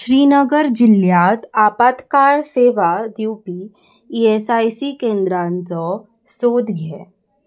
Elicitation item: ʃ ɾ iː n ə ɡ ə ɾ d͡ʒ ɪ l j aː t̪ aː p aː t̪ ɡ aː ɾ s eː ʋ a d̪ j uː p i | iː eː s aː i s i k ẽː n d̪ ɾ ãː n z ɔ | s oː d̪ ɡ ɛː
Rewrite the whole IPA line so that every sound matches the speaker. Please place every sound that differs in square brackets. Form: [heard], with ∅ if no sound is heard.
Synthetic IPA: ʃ ɾ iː n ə ɡ ə ɾ d͡ʒ ɪ l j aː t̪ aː p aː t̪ [k] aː ɾ s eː ʋ a d̪ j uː p i | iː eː s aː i s i k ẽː n d̪ ɾ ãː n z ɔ | s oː d̪ ɡ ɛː